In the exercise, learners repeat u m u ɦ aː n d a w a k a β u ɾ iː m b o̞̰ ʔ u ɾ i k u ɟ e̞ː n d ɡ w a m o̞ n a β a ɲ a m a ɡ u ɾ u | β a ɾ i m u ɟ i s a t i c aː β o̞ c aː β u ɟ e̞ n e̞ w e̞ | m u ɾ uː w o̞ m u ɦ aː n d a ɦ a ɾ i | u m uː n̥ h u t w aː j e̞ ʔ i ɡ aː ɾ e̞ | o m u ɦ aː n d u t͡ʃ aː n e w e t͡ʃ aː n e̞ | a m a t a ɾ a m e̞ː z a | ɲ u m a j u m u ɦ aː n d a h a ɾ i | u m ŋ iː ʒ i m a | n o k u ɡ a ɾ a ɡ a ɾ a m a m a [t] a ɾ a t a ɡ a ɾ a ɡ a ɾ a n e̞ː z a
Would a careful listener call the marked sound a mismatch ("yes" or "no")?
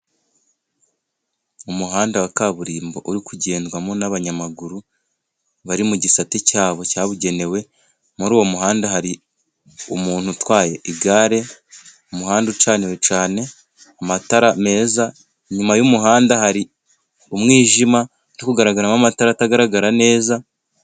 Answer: no